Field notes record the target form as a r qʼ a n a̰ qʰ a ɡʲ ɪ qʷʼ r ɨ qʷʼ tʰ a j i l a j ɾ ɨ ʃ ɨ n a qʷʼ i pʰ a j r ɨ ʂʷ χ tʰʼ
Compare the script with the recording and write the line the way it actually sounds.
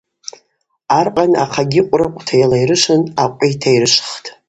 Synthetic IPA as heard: a r qʼ a n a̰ qʰ a ɡʲ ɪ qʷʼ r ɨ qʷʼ tʰ a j a l a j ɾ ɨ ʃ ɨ n a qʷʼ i tʰ a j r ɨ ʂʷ χ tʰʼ